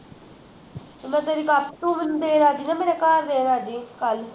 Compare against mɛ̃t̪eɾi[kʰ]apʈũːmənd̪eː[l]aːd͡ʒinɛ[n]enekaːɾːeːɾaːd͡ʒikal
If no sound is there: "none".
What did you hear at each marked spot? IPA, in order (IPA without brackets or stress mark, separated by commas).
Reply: k, ɾ, m